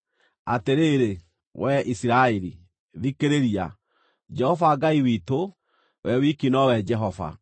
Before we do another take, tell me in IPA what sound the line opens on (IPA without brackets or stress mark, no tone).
a